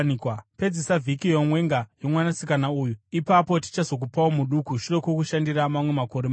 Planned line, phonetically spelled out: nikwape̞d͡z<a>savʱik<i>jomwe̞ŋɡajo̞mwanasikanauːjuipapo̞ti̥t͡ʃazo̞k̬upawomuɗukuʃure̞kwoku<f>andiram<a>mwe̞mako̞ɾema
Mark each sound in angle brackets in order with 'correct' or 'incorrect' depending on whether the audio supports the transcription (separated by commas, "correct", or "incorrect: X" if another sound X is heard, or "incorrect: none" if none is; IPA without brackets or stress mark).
incorrect: e, correct, incorrect: ʃ, correct